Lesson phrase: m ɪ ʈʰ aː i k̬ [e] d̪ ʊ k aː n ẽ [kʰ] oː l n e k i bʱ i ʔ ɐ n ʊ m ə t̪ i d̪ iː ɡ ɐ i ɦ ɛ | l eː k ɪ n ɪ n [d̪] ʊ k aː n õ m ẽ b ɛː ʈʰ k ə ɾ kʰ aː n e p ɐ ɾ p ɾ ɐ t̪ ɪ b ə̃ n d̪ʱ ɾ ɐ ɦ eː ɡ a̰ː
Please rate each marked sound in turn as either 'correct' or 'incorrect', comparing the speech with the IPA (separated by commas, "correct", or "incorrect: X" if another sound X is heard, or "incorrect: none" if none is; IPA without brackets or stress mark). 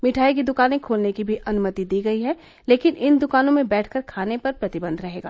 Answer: incorrect: i, correct, correct